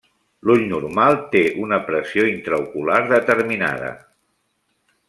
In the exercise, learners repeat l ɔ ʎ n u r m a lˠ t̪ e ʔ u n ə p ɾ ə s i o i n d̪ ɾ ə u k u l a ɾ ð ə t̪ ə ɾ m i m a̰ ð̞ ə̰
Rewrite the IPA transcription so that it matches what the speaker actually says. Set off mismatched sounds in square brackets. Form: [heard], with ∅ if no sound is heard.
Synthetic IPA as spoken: l [u] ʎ n u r m a lˠ t̪ e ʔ u n ə p ɾ ə s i o i n [t̪] ɾ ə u k u l a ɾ ð ə t̪ ə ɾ m i [n] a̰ ð̞ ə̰